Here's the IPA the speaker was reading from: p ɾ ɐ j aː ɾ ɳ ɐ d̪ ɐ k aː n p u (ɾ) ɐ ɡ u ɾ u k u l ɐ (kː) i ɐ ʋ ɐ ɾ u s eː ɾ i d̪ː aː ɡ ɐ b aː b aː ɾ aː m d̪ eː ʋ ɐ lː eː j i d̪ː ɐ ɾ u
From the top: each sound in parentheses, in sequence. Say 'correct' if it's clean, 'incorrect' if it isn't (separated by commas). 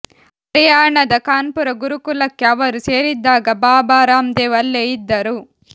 correct, correct